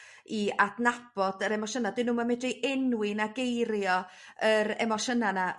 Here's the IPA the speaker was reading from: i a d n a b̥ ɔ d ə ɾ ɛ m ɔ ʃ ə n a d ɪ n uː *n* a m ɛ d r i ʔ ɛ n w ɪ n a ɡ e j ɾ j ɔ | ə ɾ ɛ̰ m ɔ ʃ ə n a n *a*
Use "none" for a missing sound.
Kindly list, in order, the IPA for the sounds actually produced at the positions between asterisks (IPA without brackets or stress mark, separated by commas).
m, a